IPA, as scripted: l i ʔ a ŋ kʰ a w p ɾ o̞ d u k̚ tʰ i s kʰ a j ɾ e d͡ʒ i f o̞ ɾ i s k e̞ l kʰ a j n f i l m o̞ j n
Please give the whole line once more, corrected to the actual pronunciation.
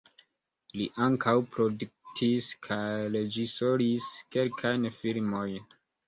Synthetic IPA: l i ʔ a ŋ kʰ a w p ɾ o̞ d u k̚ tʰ i s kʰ a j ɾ e d͡ʒ i s o̞ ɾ i s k e̞ l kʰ a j n f i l m o̞ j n